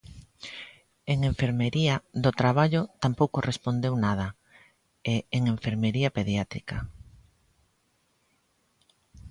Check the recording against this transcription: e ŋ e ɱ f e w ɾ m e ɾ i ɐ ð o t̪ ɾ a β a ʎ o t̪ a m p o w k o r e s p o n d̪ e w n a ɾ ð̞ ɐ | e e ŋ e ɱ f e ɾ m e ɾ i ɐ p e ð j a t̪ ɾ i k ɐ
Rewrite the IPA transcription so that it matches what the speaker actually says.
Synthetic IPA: e ŋ e ɱ f e ɾ m e ɾ i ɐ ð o t̪ ɾ a β a ʎ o t̪ a m p o w k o r e s p o n d̪ e w n a ð̞ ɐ | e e ŋ e ɱ f e ɾ m e ɾ i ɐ p e ð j a t̪ ɾ i k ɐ